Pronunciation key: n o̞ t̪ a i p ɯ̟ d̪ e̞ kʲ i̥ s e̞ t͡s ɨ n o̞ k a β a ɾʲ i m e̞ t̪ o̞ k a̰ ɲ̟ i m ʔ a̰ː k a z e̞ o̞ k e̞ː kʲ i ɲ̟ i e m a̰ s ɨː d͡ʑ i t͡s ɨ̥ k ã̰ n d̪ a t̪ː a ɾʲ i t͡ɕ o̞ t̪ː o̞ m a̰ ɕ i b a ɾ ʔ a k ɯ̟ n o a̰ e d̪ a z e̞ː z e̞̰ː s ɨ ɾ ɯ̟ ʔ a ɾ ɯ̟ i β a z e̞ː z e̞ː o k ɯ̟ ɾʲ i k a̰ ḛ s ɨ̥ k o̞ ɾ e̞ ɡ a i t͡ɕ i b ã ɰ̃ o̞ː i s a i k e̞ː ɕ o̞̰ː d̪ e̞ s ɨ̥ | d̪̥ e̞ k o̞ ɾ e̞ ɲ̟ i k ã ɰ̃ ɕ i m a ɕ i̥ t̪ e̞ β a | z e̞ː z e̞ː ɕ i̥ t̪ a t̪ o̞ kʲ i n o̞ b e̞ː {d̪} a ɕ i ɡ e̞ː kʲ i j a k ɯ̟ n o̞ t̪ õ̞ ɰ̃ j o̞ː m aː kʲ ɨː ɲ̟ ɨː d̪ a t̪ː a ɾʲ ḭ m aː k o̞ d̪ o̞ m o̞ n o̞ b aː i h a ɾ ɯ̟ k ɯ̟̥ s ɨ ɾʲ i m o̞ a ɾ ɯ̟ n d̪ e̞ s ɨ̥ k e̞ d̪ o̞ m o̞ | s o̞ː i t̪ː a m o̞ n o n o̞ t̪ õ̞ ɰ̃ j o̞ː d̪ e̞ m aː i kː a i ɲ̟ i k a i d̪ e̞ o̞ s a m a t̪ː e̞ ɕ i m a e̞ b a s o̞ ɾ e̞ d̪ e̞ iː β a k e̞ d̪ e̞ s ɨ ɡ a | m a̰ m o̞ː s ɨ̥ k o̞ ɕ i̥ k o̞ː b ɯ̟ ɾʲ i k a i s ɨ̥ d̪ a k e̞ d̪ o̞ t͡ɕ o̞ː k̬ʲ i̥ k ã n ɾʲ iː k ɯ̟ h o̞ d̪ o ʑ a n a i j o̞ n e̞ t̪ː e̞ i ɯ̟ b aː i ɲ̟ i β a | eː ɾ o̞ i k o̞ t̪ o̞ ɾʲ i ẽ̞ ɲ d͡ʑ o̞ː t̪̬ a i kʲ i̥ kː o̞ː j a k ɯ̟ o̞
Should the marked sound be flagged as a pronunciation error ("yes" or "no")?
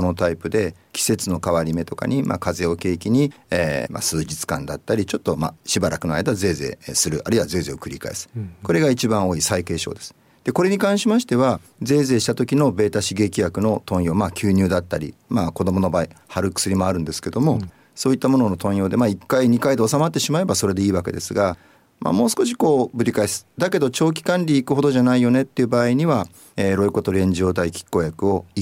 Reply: yes